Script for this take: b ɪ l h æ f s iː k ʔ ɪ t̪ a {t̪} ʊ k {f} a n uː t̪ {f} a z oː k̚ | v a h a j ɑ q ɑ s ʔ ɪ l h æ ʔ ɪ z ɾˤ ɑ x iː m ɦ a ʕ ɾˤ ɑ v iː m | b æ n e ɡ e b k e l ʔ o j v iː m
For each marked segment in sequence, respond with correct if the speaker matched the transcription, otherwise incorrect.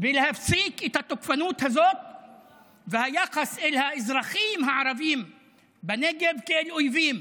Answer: correct, correct, incorrect: h

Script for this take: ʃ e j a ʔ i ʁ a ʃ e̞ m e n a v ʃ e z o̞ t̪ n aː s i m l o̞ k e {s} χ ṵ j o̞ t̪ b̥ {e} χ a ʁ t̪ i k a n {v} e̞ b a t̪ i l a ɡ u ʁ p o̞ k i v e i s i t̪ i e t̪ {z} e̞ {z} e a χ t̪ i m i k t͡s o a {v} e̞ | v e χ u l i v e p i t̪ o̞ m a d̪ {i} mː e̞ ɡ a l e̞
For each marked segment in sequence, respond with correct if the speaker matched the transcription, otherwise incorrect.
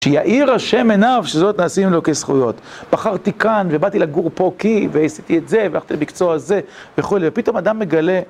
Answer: correct, incorrect: a, correct, correct, incorrect: v, incorrect: z, incorrect: a

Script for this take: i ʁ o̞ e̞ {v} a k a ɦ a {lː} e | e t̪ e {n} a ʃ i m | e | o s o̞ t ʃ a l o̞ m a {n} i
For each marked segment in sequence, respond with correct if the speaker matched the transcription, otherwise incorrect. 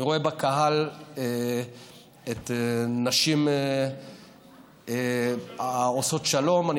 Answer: incorrect: b, incorrect: l, correct, correct

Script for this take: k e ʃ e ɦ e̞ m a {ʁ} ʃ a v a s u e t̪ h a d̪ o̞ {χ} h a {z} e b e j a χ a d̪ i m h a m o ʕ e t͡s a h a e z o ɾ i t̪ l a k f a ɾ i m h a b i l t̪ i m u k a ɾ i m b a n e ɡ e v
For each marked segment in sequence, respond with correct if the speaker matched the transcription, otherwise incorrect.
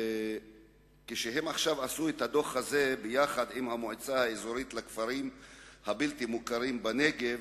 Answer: incorrect: χ, correct, correct

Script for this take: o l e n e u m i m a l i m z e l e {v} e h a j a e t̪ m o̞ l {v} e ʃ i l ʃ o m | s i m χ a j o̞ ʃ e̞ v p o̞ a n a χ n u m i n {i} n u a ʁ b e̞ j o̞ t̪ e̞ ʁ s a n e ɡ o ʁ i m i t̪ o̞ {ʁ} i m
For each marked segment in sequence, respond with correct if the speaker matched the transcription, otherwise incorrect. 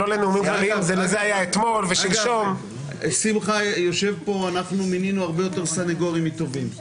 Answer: incorrect: z, correct, correct, incorrect: v

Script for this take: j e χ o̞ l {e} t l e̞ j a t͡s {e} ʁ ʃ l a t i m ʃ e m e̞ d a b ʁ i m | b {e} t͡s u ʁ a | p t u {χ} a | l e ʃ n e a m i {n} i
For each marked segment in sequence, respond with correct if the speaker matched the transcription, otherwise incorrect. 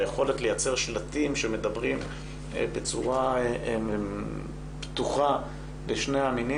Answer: correct, correct, correct, correct, correct

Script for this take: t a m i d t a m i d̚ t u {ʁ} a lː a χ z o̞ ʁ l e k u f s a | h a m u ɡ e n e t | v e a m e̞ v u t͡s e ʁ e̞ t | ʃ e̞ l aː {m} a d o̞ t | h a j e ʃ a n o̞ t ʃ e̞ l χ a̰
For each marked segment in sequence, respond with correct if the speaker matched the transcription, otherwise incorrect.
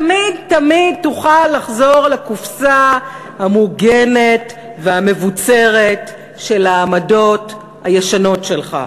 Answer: incorrect: χ, correct

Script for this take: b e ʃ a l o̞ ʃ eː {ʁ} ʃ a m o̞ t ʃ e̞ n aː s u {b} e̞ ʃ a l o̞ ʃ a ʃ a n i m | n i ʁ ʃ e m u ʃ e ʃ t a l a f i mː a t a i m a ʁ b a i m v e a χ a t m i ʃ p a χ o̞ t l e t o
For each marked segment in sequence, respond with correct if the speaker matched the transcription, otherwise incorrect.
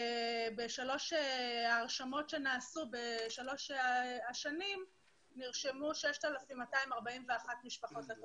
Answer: correct, correct

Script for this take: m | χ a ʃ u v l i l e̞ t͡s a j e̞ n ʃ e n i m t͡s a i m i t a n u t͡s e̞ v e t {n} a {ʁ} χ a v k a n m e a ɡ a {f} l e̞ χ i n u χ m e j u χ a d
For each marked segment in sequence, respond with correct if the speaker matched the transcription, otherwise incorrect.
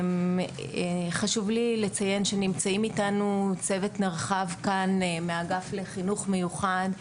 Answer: correct, correct, correct

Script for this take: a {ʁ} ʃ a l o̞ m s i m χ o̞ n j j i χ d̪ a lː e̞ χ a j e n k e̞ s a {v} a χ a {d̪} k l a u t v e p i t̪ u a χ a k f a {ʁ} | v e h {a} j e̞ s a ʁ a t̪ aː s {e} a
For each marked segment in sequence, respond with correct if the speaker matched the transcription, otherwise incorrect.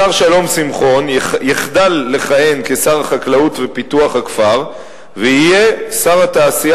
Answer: correct, incorrect: ʁ, incorrect: none, correct, incorrect: i, incorrect: i

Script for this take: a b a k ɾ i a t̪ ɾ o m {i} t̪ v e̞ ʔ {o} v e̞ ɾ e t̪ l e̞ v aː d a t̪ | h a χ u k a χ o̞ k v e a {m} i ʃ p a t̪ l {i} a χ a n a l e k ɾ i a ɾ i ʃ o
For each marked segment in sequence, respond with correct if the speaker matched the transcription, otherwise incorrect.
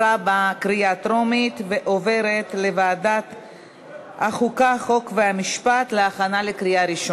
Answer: correct, correct, correct, incorrect: e

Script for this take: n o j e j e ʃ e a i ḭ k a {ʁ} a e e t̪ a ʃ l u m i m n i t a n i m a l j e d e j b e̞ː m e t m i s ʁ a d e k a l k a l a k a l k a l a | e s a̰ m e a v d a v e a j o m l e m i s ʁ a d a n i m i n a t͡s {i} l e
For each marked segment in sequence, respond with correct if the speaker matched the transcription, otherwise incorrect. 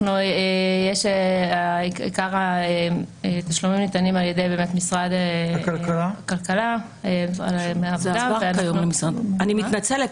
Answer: correct, incorrect: e

